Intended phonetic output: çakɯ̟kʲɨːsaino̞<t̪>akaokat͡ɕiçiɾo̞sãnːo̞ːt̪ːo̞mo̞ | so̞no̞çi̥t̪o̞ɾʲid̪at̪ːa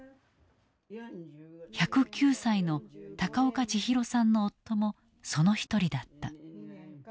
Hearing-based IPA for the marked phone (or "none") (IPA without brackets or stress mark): t̪